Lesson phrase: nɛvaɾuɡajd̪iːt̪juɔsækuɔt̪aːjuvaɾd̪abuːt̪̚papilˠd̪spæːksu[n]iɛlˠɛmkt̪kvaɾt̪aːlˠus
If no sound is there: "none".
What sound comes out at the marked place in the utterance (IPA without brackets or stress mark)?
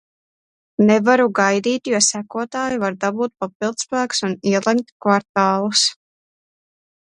n